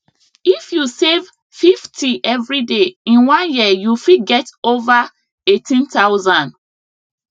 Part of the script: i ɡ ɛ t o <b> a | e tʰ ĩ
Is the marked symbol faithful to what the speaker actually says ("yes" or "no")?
no